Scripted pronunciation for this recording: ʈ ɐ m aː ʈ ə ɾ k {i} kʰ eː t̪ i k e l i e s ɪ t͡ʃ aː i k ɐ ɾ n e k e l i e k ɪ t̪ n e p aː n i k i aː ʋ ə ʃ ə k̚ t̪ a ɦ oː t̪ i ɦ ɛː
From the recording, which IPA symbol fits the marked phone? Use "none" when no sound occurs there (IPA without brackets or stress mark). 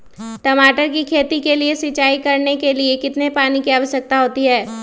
i